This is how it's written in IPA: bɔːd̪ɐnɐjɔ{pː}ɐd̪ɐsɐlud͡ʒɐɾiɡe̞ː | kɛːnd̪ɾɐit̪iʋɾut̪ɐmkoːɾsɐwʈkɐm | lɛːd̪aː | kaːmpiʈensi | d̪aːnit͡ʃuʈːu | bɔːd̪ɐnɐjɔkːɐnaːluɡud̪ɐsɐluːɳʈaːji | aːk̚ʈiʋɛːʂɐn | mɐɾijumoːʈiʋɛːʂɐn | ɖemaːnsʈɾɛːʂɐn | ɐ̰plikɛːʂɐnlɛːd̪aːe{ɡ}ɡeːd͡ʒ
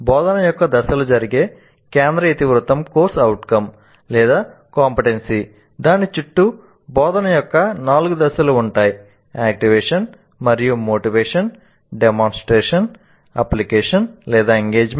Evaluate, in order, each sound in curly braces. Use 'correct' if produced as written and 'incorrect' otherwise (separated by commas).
incorrect, incorrect